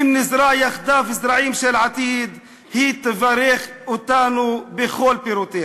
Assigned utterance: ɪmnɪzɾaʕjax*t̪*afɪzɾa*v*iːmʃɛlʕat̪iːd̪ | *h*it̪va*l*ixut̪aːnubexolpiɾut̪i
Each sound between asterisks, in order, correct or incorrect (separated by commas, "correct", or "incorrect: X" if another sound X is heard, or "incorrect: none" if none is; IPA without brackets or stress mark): incorrect: d̪, incorrect: ʕ, correct, incorrect: ɾ